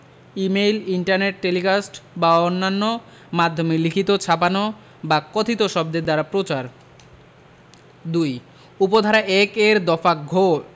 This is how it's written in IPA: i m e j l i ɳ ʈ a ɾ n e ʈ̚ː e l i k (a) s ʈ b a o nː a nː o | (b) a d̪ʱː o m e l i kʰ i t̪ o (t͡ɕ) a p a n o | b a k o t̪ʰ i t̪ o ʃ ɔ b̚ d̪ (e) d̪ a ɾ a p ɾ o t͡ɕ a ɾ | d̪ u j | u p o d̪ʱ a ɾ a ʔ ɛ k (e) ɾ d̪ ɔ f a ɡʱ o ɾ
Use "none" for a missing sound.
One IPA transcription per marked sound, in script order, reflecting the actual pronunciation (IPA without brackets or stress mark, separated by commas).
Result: a, m, t͡ɕʰ, e, e